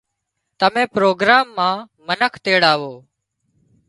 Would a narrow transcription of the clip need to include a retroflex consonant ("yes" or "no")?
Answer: yes